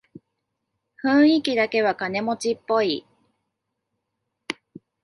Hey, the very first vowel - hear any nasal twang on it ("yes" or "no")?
yes